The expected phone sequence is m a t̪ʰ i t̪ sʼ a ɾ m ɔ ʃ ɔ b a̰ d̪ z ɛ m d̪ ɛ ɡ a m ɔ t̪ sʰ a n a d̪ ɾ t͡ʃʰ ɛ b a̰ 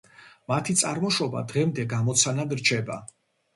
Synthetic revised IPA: m a t̪ʰ i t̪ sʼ a ɾ m ɔ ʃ ɔ b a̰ d̪ ʁ ɛ m d̪ ɛ ɡ a m ɔ t̪ sʰ a n a d̪ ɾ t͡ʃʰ ɛ b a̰

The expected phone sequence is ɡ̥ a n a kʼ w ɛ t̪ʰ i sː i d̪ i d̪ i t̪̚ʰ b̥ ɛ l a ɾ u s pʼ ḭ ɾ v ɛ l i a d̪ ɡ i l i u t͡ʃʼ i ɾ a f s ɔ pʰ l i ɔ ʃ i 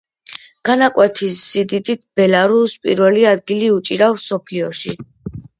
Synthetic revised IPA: ɡ̥ a n a kʼ w ɛ t̪ʰ i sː i d̪ i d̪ i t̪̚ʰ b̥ ɛ l a ɾ u s pʼ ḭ ɾ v ɛ l i a d̪ ɡ i l i u t͡ʃʼ i ɾ a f s ɔ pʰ l i ɔ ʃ i

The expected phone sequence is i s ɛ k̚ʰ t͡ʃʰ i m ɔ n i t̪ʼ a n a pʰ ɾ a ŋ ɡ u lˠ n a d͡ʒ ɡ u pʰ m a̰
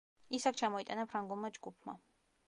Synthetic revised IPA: i s a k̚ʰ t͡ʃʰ a m ɔ i t̪ʼ a n a pʰ ɾ a ŋ ɡ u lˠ m a d͡ʒ ɡ u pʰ m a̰

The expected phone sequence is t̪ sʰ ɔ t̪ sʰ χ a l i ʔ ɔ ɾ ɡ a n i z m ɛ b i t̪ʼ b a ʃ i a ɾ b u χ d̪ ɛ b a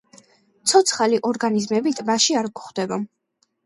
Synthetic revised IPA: t̪ sʰ ɔ t̪ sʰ χ a l i ʔ ɔ ɾ ɡ a n i z m ɛ b i t̪ʼ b a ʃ i a ɾ ɡ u χ d̪ ɛ b a

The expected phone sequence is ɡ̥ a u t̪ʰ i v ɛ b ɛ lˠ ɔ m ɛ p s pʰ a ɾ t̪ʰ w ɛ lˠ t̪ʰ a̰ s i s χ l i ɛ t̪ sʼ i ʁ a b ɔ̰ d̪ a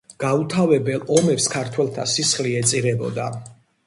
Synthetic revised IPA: ɡ̥ a u t̪ʰ a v ɛ b ɛ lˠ ɔ m ɛ p s kʰ a ɾ t̪ʰ w ɛ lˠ t̪ʰ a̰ s i s χ l i ɛ t̪ sʼ i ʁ ɛ b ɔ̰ d̪ a

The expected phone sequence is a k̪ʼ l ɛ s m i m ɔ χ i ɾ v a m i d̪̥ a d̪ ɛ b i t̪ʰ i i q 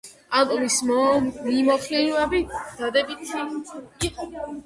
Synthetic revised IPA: a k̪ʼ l i s m i m ɔ χ i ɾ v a b i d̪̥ a d̪ ɛ b i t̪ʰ i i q

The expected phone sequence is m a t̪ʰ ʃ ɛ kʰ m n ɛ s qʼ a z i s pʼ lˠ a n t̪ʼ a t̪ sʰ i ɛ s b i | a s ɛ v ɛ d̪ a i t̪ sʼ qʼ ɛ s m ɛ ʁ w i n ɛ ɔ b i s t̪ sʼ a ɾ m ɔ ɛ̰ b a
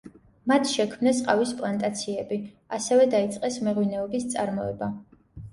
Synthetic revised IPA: m a t̪ʰ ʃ ɛ kʰ m n ɛ s qʼ a v i s pʼ lˠ a n t̪ʼ a t̪ sʰ i ɛ b i | a s ɛ v ɛ d̪ a i t̪ sʼ qʼ ɛ s m ɛ ʁ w i n ɛ ɔ b i s t̪ sʼ a ɾ m ɔ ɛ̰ b a

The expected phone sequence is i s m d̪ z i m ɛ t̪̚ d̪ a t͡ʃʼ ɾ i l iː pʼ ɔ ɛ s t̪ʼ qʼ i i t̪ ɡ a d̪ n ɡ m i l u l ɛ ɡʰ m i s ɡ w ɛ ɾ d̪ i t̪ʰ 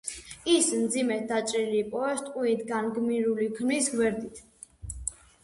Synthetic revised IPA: i s m d̪ z i m ɛ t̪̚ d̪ a t͡ʃʼ ɾ i l iː pʼ ɔ ɛ s t̪ʼ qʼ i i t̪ ɡ a n ɡ m i ɾ u l i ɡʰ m i s ɡ w ɛ ɾ d̪ i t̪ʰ

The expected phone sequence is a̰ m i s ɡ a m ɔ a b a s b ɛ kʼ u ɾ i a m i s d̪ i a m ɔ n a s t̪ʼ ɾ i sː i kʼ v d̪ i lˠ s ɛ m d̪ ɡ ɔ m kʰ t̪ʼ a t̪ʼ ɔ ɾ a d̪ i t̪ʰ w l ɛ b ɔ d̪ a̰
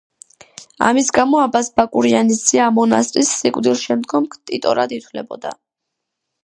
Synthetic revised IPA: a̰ m i s ɡ a m ɔ a b a s b a kʼ u ɾ i a n i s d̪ i a m ɔ n a s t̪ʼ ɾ i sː i kʼ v d̪ i lˠ ʃ ɛ m d̪ ɡ ɔ m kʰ t̪ʼ i t̪ʼ ɔ ɾ a d̪ i t̪ʰ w l ɛ b ɔ d̪ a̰

